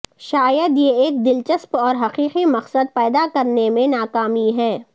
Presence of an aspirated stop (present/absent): absent